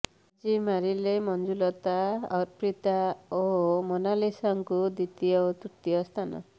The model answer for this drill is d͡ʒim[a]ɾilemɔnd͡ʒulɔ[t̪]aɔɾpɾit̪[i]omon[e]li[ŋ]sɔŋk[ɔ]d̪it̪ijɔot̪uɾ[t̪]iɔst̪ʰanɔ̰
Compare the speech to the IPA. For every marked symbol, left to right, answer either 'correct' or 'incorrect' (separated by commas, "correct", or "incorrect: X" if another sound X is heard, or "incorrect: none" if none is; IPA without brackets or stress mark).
correct, correct, incorrect: a, incorrect: a, incorrect: none, incorrect: u, correct